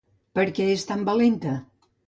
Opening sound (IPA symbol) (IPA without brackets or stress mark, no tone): p